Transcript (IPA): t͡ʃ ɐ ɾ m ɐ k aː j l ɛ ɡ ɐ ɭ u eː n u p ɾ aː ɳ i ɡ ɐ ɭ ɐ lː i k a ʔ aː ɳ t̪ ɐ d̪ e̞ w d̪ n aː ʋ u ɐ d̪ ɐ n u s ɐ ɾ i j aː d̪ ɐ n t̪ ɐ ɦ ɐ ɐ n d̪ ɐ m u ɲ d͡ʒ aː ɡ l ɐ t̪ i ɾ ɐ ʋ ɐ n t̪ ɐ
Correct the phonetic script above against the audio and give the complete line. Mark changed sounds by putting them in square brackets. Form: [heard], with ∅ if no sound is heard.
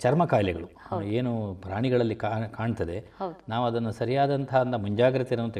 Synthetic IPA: t͡ʃ ɐ ɾ m ɐ k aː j l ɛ ɡ ɐ ɭ u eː n u p ɾ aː ɳ i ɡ ɐ ɭ ɐ lː i k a [k] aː ɳ t̪ ɐ d̪ e̞ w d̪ n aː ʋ u ɐ d̪ ɐ [nː] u s ɐ ɾ i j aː d̪ ɐ n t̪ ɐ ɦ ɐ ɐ n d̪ ɐ m u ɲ d͡ʒ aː ɡ [ɾ] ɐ t̪ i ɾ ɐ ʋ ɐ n t̪ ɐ